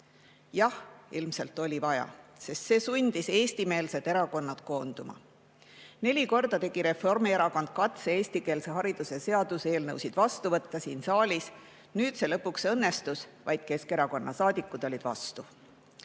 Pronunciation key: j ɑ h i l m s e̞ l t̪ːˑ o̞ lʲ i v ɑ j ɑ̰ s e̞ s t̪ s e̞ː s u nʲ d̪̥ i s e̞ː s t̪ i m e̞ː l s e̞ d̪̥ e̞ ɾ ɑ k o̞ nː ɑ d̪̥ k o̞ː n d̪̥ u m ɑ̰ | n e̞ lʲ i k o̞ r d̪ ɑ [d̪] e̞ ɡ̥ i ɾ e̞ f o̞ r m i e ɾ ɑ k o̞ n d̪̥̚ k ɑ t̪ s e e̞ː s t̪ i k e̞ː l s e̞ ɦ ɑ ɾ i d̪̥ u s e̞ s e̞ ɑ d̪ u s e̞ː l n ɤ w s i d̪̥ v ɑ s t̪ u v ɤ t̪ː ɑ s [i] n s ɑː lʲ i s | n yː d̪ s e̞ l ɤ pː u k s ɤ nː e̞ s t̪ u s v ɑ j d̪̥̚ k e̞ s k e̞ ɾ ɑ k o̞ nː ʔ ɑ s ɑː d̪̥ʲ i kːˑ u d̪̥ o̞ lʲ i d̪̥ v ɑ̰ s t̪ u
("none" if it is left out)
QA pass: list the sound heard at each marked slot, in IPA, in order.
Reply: t̪, iː

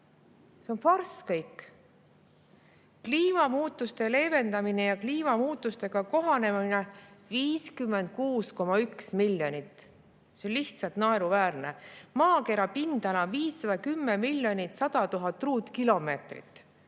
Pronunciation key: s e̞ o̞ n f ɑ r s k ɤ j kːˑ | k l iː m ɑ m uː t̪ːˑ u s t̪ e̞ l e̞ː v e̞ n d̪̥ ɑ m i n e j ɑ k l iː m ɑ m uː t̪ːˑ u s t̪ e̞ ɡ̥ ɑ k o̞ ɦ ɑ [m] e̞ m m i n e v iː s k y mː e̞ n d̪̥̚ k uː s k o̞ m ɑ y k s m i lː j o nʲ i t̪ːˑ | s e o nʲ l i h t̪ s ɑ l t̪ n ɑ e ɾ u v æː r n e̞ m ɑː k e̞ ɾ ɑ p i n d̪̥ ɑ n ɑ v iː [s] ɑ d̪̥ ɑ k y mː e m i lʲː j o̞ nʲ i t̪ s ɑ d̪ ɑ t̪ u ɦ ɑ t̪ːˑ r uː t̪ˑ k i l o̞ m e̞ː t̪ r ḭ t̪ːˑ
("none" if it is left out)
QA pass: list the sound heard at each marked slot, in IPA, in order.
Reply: n, sː

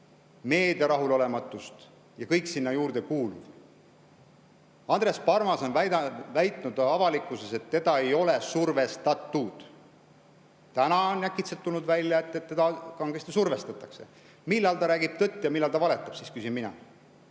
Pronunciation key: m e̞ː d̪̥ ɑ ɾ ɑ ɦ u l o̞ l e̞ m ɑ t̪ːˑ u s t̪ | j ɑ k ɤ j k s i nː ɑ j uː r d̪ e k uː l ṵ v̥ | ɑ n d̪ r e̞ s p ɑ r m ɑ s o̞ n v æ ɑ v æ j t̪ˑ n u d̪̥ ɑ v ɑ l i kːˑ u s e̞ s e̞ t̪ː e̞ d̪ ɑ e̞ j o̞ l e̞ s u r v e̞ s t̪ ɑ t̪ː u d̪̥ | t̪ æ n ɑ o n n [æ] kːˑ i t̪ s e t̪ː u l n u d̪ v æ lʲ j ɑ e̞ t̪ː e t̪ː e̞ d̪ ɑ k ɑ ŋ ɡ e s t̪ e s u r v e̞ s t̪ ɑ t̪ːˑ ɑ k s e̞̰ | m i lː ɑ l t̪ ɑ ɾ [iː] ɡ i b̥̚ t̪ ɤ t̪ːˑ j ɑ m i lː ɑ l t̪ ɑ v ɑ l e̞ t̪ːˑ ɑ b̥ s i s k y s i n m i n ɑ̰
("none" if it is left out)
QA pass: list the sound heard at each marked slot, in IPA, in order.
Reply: æ, æː

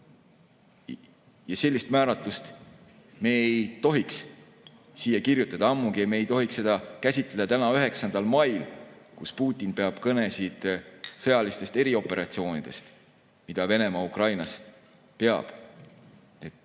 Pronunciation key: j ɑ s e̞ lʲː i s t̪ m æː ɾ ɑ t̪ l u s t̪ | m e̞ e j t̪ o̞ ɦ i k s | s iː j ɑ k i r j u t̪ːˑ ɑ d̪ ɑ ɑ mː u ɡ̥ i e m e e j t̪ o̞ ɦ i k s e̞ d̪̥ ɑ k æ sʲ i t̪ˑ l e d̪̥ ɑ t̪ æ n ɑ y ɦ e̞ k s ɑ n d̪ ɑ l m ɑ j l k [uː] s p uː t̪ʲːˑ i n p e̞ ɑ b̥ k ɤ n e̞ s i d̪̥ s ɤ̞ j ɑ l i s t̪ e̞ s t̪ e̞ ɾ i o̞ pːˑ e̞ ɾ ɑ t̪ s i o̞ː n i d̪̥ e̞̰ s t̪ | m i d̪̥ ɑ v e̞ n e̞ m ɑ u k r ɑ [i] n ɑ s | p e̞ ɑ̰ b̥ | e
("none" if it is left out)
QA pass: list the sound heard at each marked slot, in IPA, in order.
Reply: u, j

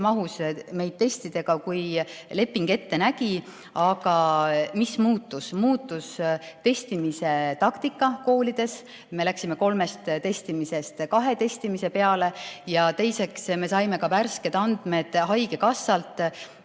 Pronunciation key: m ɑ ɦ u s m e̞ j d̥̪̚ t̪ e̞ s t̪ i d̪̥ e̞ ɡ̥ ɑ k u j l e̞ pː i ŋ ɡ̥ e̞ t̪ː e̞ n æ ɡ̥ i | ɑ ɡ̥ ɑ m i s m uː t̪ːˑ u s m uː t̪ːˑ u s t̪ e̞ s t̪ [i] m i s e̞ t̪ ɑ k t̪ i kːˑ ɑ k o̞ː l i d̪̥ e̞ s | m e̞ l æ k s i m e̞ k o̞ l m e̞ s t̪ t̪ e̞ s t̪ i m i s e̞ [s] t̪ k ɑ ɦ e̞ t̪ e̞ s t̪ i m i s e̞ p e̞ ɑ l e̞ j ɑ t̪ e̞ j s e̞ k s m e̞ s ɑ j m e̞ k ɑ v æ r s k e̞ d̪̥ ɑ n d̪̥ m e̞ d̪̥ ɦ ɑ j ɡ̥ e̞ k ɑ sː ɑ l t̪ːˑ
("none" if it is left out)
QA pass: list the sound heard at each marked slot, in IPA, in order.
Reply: i, s

